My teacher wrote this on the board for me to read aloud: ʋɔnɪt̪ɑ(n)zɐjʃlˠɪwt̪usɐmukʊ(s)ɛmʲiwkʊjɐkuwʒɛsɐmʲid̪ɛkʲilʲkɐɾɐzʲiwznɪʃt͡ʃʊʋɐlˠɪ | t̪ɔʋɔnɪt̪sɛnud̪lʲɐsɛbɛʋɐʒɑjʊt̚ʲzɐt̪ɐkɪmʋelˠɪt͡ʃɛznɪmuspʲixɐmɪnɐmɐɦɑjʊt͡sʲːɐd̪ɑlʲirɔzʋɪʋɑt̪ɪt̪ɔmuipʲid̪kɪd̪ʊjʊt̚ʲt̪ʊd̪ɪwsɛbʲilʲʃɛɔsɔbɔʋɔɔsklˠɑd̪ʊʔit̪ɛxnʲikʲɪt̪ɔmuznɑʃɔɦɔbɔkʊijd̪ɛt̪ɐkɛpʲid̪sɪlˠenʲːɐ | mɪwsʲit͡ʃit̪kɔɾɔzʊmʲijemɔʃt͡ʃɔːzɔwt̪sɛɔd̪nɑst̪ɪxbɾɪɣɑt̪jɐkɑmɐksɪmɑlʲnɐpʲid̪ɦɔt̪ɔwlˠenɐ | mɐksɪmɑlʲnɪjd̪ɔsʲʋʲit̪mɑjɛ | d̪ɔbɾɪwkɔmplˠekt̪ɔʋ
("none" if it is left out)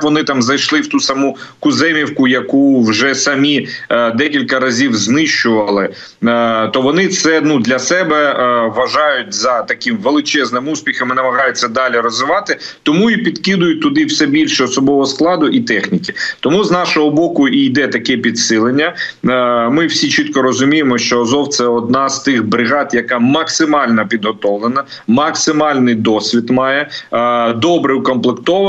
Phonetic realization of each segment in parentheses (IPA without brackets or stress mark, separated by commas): m, z